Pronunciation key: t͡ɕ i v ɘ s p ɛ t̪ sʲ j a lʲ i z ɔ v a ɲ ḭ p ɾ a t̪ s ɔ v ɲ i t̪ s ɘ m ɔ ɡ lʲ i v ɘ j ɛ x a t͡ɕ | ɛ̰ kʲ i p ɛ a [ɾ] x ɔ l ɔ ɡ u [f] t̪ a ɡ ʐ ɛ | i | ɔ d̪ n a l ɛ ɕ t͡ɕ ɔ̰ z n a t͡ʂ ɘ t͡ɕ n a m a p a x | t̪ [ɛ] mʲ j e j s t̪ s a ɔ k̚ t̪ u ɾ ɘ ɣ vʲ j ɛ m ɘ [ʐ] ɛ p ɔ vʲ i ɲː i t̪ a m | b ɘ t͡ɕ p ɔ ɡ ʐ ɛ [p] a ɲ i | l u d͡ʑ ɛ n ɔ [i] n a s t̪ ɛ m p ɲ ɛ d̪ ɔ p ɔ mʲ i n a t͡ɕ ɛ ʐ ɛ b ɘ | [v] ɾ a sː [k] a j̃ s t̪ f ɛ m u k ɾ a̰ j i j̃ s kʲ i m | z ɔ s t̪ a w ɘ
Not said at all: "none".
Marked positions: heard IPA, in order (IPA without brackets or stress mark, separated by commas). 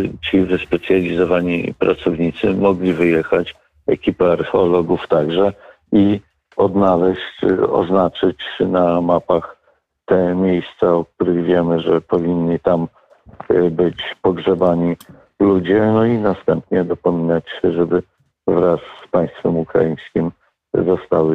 ɾ, f, ɛ, ʐ, b, i, v, p